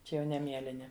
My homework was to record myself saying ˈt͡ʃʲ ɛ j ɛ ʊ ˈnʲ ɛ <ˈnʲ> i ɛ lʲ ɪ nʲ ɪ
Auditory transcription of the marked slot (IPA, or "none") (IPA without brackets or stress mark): mʲ